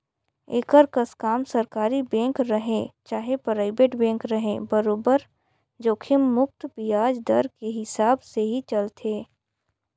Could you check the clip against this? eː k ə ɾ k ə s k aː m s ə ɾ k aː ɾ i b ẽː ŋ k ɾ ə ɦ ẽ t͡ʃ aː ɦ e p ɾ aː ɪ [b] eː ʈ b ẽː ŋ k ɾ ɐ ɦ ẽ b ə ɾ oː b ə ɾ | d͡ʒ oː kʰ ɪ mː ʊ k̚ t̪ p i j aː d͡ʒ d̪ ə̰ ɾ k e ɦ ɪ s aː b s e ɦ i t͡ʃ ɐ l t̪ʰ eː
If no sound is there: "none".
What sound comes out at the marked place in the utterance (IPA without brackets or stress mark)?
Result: b